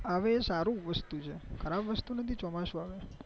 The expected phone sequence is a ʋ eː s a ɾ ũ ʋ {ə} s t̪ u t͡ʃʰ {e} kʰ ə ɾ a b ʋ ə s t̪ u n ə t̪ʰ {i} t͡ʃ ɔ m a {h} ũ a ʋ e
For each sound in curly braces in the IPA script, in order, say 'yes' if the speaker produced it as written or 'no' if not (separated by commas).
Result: yes, yes, yes, no